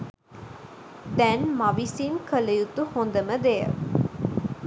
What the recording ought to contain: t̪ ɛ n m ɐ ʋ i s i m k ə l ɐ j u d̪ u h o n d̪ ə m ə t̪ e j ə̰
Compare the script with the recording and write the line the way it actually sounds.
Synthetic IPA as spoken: d̪ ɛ n m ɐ ʋ i s i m k ə l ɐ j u t̪ u h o n d̪ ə m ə d̪ e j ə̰